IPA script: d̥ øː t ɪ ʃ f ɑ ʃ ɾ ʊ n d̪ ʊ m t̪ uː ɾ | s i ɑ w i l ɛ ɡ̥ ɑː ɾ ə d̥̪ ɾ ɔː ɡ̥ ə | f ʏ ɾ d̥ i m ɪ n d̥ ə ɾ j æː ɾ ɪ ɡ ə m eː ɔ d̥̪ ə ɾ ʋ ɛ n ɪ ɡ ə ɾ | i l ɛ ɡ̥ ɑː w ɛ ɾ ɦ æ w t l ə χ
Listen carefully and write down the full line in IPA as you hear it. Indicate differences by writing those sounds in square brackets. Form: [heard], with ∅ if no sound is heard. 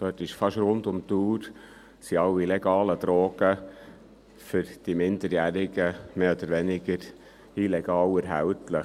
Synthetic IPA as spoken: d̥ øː t ɪ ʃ f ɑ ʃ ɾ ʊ n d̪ ʊ m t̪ uː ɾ | s i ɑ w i l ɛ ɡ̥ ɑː [l] ə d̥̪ ɾ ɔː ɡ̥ ə | f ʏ ɾ d̥ i m ɪ n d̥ ə ɾ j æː ɾ ɪ ɡ ə m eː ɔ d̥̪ ə ɾ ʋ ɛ n ɪ ɡ ə ɾ | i l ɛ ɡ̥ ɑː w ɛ ɾ ɦ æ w t l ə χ